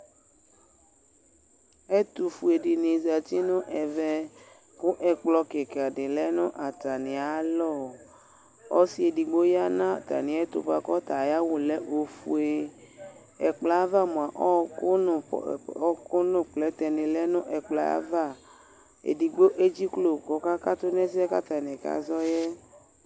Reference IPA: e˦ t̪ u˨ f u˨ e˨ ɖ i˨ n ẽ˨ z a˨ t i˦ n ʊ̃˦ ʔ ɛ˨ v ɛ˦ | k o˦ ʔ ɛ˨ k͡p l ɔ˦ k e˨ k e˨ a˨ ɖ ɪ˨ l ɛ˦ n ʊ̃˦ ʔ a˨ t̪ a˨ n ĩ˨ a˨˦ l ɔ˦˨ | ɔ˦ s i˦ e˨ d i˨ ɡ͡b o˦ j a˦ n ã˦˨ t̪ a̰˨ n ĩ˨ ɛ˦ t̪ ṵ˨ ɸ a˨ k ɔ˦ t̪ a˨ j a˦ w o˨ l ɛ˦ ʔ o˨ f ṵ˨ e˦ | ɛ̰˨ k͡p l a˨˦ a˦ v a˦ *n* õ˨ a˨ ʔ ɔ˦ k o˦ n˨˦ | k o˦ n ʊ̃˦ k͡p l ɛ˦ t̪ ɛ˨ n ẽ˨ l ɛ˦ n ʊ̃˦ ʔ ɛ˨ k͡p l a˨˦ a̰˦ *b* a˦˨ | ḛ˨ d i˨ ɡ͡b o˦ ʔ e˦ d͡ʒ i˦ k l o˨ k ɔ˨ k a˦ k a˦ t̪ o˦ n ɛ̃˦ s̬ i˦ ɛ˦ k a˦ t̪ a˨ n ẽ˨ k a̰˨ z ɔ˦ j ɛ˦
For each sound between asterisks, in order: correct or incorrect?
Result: incorrect, incorrect

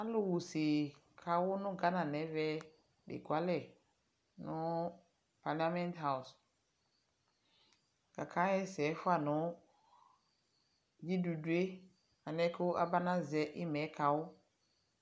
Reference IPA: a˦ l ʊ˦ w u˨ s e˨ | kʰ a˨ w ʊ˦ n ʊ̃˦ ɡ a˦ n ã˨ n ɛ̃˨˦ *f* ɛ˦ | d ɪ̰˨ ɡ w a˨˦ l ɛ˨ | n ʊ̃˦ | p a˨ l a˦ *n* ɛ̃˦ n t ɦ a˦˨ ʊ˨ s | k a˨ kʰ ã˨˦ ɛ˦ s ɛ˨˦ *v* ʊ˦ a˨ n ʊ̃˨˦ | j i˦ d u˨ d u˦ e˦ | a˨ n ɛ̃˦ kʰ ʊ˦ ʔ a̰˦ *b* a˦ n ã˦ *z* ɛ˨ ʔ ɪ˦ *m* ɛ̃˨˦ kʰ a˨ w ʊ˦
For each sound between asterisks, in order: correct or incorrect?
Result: incorrect, incorrect, incorrect, correct, correct, correct

